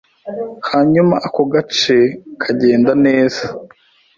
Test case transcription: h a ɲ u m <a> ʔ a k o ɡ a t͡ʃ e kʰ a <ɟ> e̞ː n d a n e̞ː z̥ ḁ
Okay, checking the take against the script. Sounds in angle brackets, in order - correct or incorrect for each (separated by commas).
correct, correct